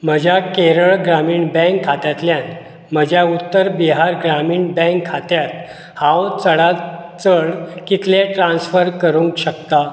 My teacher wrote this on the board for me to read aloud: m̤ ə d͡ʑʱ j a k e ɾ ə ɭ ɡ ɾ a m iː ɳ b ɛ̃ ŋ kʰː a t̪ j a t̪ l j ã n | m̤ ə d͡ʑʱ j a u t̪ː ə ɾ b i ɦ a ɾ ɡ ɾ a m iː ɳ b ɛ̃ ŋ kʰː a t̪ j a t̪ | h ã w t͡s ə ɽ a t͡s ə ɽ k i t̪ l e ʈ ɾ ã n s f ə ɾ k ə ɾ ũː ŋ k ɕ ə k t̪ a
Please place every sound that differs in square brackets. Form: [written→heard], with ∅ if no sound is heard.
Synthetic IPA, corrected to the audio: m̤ ə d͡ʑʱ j a k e ɾ ə ɭ ɡ ɾ a m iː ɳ b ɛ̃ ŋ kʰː a t̪ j a t̪ l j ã n | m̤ ə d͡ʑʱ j a u t̪ː ə ɾ b i ɦ a ɾ ɡ ɾ a m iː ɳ b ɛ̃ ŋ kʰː a t̪ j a t̪ | h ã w t͡s ə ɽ a t͡s ə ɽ k i t̪ l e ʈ ɾ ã n s f ə ɾ k ə ɾ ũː ŋ k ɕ ə k t̪ a

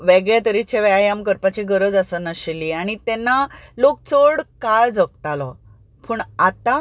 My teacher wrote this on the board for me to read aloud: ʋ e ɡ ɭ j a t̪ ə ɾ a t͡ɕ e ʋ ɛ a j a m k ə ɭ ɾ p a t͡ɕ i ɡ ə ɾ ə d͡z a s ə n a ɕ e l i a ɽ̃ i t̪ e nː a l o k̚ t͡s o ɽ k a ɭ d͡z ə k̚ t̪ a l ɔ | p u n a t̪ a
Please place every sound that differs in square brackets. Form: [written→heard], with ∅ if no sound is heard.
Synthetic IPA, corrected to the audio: ʋ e ɡ ɭ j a t̪ ə ɾ [a→i] t͡ɕ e ʋ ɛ a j a m k ə [ɭ→∅] ɾ p a t͡ɕ i ɡ ə ɾ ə d͡z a s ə n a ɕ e l i a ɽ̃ i t̪ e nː a l o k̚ t͡s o ɽ k a ɭ d͡z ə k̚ t̪ a l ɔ | p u [n→ɳ] a t̪ a

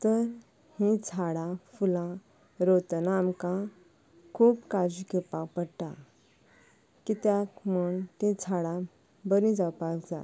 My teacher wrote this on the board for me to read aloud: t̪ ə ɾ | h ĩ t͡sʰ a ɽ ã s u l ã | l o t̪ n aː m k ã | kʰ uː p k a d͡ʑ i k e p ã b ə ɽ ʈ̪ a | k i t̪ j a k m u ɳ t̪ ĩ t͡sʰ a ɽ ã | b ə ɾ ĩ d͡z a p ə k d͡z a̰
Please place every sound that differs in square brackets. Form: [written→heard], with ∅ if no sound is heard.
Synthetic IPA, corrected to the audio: t̪ ə ɾ | h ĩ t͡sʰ a ɽ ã [s→f] u l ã | [l→ɾ] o t̪ n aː m k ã | kʰ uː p k a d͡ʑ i k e p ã [b→p] ə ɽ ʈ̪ a | k i t̪ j a k m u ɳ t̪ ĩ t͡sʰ a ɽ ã | b ə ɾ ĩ d͡z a p [ə→a] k d͡z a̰

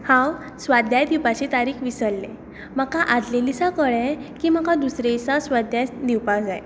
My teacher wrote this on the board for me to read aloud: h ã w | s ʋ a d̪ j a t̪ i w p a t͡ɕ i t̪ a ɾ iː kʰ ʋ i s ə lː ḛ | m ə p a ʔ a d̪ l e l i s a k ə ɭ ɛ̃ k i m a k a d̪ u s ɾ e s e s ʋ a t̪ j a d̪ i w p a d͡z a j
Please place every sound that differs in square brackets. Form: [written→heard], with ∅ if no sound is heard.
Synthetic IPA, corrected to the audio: h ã w | s ʋ a d̪ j a [t̪→d̪] i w p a t͡ɕ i t̪ a ɾ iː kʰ ʋ i s ə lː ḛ | m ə [p→k] a ʔ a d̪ l e l i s a k ə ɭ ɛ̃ k i m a k a d̪ u s ɾ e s [e→a] s ʋ a [t̪→d̪] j a d̪ i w p a d͡z a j

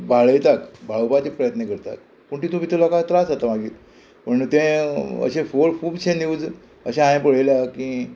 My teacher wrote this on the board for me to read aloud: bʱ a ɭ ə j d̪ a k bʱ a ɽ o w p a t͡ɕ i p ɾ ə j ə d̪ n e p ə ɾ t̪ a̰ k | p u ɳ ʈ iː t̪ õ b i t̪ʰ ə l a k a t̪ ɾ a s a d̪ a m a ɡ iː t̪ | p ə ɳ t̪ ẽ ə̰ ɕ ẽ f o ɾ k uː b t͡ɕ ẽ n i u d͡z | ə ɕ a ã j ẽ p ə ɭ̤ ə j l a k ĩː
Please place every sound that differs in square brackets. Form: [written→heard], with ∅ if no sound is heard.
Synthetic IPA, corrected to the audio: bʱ a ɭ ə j [d̪→t̪] a k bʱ a [ɽ→ɭ] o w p a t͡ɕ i p ɾ ə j ə [d̪→t̪] n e [p→k] ə ɾ t̪ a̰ k | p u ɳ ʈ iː t̪ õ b i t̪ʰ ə l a k a t̪ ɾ a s a [d̪→t̪] a m a ɡ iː t̪ | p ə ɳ t̪ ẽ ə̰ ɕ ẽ f o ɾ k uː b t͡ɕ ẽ n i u d͡z | ə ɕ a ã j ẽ p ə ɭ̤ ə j l a k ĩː

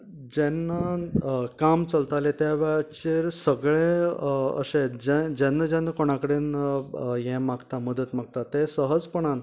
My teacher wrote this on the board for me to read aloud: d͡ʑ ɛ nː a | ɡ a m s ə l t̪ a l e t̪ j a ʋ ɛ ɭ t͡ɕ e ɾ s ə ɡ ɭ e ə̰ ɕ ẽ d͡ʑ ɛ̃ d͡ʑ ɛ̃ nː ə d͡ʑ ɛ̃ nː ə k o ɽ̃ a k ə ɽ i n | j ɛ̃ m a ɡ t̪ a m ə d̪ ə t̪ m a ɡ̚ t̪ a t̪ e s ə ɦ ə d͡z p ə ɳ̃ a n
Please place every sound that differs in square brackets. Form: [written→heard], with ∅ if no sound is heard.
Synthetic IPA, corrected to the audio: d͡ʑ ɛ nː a | [ɡ→k] a m [s→t͡s] ə l t̪ a l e t̪ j a ʋ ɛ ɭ t͡ɕ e ɾ s ə ɡ ɭ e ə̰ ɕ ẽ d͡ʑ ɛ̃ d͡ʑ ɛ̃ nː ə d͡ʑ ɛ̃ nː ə k o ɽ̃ a k ə ɽ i n | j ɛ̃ m a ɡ t̪ a m ə d̪ ə t̪ m a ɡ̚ t̪ a t̪ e s ə ɦ ə d͡z p ə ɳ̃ a n

